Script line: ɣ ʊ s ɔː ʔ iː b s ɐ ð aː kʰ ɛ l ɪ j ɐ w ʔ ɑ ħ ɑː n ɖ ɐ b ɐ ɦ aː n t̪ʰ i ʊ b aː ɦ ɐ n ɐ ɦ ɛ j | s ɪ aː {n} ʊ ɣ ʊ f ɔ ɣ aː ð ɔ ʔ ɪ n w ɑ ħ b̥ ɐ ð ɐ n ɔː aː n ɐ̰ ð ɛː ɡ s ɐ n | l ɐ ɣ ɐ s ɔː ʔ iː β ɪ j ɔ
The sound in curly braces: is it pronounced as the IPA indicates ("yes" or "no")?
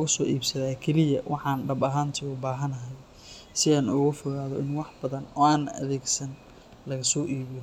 yes